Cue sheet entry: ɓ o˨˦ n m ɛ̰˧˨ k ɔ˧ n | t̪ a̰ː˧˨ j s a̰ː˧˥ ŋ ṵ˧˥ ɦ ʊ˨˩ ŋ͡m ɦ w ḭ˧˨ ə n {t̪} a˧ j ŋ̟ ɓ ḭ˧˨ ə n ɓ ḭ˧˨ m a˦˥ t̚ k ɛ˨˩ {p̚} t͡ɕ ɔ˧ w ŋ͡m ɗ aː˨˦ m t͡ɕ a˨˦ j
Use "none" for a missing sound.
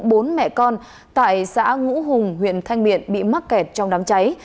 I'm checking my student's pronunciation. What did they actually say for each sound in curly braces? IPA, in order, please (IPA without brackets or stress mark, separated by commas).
t̪ʰ, t̚